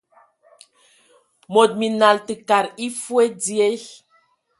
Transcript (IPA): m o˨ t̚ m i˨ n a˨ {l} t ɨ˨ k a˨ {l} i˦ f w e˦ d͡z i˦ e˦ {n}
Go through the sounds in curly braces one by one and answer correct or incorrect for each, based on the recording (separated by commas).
correct, incorrect, incorrect